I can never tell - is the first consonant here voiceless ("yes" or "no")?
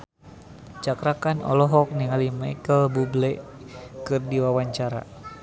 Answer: yes